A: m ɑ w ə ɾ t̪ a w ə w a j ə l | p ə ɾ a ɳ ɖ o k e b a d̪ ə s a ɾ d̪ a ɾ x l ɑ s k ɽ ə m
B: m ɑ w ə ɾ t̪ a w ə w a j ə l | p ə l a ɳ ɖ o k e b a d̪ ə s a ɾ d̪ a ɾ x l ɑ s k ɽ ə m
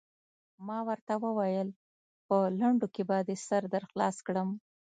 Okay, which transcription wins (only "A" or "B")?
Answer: B